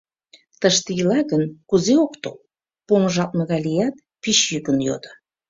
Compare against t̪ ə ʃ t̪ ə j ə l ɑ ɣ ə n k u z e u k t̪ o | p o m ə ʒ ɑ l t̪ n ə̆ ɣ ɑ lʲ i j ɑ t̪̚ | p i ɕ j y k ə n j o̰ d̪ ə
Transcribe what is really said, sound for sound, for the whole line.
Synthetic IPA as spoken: t̪ ə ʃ t̪ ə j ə l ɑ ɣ ə n k u z e o k t̪ o | p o m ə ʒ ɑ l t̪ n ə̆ ɣ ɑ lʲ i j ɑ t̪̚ | p i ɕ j y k ə n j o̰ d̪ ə